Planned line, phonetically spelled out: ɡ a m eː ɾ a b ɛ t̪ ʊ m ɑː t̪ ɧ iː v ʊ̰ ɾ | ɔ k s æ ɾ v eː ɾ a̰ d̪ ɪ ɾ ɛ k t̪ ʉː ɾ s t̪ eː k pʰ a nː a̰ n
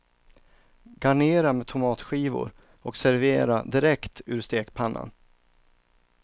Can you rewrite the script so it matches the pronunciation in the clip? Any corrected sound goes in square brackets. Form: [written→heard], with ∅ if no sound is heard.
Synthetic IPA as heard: ɡ a [m→ɳ] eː ɾ a [b→m] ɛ [t̪→t̪ʰ] ʊ m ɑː t̪ ɧ iː v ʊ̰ ɾ | ɔ k s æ ɾ v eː ɾ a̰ d̪ ɪ ɾ ɛ k t̪ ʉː ɾ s t̪ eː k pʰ a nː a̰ n